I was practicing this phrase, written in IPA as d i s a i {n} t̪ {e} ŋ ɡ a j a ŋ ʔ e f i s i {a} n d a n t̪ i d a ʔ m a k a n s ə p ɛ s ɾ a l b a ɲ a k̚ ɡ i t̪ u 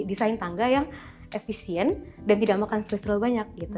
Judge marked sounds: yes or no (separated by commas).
yes, no, no